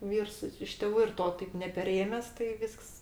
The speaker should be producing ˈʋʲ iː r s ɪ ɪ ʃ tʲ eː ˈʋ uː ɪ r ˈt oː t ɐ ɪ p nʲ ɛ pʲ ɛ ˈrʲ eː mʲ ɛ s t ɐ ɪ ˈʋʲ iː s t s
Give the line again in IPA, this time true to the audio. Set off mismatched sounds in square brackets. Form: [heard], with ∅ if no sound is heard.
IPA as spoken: ˈʋʲ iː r s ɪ ɪ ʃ tʲ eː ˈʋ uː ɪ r ˈt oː t ɐ ɪ p nʲ ɛ pʲ ɛ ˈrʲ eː mʲ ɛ s t ɐ ɪ ˈʋʲ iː s [k] s